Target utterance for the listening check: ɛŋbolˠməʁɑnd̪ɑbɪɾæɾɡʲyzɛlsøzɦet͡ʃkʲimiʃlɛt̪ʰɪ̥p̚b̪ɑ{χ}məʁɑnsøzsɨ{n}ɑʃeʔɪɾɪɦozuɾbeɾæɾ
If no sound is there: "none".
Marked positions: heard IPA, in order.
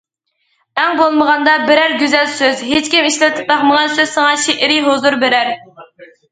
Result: χ, ŋ

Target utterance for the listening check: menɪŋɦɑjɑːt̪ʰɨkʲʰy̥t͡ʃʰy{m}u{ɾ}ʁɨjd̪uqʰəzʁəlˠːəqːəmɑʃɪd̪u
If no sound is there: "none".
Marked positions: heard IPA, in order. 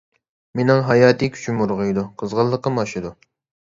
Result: m, ɾ

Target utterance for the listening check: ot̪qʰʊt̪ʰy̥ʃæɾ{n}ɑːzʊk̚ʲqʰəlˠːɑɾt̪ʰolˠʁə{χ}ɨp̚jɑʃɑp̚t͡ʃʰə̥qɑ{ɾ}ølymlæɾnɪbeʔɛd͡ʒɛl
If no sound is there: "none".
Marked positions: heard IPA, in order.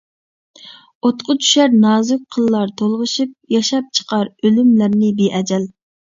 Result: n, ʃ, ɾ

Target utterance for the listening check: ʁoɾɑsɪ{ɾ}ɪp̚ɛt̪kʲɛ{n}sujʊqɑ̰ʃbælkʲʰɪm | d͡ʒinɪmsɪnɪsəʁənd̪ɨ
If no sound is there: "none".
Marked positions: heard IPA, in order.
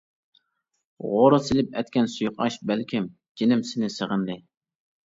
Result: l, n

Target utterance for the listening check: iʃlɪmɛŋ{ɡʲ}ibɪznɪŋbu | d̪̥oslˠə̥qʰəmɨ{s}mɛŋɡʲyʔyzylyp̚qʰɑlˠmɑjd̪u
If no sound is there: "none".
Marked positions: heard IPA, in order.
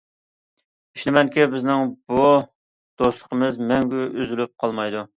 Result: kʲ, z

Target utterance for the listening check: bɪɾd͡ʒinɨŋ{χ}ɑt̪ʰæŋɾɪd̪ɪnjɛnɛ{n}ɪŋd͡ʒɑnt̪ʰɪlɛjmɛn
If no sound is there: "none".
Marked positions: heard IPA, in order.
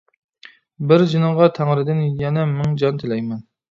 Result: ʁ, m

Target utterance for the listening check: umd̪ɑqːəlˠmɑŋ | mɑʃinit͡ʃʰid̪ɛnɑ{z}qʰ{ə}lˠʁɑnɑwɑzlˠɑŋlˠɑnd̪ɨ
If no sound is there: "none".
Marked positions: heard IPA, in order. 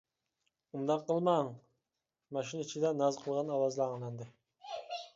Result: z, ə

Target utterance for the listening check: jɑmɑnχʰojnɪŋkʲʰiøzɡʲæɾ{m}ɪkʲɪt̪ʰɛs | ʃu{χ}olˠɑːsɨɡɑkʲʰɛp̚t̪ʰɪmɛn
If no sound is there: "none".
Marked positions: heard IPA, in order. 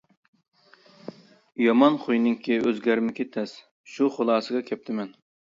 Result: m, χ

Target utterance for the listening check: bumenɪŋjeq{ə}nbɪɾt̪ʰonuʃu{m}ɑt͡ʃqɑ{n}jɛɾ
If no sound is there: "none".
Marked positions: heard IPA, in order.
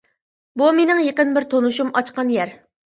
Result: ə, m, n

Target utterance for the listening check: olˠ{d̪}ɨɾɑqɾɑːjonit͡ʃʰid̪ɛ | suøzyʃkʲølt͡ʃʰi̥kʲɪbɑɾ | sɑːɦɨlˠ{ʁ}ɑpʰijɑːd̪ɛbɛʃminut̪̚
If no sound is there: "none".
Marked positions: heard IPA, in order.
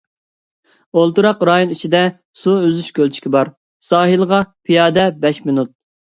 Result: t̪, ʁ

